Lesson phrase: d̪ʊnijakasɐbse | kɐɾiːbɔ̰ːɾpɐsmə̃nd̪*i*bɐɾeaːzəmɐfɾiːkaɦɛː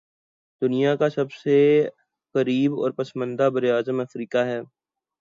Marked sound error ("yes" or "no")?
yes